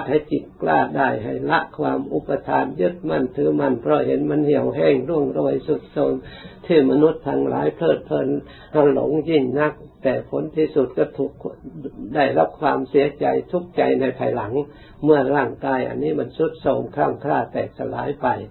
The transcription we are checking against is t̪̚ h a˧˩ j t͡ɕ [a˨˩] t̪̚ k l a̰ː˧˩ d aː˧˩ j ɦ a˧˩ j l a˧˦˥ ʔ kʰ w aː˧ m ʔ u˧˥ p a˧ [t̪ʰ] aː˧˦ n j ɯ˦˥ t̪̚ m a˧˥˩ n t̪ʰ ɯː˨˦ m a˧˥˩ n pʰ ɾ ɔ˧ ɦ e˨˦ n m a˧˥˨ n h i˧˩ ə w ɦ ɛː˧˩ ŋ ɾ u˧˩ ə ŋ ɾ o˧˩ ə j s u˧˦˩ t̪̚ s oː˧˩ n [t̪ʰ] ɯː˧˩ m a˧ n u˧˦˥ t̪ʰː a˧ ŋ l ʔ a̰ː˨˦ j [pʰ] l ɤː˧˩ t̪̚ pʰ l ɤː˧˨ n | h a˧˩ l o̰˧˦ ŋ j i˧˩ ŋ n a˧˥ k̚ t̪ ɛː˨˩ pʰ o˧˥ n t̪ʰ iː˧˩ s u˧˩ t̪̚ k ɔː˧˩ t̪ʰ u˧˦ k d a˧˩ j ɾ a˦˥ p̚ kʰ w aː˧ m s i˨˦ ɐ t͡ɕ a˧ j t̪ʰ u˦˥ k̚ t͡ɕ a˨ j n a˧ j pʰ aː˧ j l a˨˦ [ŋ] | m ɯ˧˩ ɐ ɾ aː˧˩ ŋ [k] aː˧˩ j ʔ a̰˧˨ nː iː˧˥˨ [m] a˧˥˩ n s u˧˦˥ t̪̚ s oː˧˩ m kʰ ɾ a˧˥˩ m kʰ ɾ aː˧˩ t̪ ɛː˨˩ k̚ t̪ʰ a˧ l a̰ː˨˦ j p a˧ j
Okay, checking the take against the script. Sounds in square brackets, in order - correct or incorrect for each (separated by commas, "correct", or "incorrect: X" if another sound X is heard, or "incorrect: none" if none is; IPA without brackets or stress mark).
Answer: incorrect: i˨˩, correct, correct, correct, correct, correct, correct